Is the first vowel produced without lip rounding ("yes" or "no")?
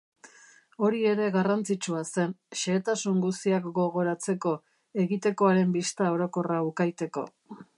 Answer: no